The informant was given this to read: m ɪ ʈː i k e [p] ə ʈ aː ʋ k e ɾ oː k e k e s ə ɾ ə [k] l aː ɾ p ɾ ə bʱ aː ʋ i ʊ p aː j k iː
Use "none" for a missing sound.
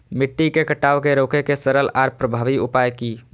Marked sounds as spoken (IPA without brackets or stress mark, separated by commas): k, none